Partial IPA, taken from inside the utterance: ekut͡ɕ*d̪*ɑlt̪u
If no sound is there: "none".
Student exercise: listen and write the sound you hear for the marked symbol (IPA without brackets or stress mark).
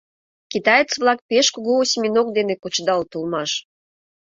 d̪